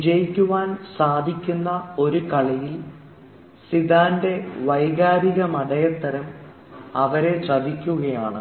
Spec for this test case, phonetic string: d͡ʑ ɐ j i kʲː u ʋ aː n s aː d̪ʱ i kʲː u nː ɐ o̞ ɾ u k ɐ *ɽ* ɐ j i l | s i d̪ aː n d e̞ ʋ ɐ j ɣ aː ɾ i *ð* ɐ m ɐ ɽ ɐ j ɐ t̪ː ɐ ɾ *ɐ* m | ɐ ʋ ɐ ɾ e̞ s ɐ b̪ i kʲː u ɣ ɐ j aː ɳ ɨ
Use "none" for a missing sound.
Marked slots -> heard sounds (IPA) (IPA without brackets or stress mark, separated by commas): ɭ, ɣ, ɐ